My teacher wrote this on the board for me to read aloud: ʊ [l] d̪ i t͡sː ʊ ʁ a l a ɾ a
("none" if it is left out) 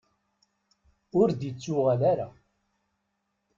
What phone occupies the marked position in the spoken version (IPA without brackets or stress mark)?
ɾ